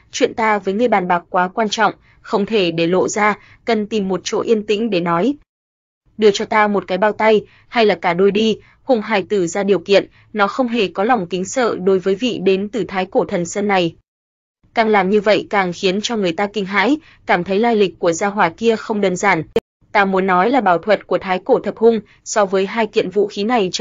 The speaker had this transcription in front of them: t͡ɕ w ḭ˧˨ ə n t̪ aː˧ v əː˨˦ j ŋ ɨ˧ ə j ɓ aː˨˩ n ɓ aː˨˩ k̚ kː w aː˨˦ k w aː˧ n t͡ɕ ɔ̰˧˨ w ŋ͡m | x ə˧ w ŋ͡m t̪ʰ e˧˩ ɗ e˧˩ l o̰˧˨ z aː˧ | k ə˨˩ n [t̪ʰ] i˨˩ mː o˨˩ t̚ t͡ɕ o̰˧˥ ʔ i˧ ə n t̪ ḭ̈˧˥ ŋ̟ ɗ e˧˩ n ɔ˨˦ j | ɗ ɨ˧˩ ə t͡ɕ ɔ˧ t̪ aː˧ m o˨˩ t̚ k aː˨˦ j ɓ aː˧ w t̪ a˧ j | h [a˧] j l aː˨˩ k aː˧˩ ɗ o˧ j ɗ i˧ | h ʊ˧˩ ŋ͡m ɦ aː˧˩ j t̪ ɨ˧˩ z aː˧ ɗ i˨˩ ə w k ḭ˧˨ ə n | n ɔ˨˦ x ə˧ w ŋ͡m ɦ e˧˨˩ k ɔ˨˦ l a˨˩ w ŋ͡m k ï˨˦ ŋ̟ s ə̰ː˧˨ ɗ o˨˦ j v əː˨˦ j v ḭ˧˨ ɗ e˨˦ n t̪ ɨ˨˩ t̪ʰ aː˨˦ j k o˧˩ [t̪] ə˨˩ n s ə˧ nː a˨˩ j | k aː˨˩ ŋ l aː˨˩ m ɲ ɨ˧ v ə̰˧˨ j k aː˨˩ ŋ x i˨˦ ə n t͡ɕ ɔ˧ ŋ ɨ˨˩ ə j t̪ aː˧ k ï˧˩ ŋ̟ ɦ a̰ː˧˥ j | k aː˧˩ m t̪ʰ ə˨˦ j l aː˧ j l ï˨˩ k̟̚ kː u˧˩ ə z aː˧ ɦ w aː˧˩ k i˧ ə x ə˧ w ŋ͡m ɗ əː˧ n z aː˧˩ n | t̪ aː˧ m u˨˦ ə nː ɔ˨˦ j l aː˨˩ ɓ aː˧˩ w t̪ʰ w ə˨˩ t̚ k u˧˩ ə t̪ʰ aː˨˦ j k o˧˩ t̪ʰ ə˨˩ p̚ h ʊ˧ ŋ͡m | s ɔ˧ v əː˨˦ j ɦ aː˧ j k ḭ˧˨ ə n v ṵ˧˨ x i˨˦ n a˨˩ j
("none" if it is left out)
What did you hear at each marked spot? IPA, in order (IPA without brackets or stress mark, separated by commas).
t̪, a˧, t̪ʰ